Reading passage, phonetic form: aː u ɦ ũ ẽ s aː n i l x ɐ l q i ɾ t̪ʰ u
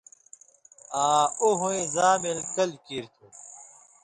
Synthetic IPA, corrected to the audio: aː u ɦ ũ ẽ z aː m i l k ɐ l k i ɾ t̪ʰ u